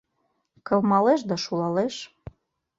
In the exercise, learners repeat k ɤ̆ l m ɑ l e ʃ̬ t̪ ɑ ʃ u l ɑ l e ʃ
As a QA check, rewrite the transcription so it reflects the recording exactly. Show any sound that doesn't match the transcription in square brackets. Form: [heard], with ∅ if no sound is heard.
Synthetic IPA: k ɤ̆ l m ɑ l e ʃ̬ [d̪] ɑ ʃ u l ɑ l e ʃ